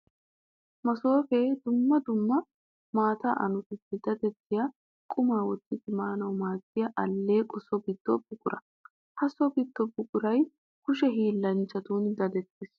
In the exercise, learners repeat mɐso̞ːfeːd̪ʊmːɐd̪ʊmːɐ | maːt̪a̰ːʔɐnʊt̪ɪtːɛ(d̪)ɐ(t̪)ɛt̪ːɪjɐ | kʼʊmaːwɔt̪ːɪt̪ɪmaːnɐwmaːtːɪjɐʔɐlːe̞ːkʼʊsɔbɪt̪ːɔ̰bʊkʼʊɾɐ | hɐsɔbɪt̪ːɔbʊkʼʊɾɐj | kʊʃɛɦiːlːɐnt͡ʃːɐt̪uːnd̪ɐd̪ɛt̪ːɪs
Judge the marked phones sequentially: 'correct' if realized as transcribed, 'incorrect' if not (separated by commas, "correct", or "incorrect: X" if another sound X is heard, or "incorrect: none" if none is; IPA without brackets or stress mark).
correct, incorrect: d̪